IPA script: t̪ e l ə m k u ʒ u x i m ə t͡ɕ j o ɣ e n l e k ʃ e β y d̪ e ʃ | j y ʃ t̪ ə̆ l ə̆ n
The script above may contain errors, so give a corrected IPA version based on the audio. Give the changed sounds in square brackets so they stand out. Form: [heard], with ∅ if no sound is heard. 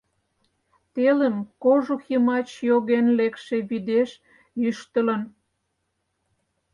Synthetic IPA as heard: t̪ e l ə m k [o] ʒ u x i m [ɑ] t͡ɕ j o ɣ e n l e k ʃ e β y d̪ e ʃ | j y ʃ t̪ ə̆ l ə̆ n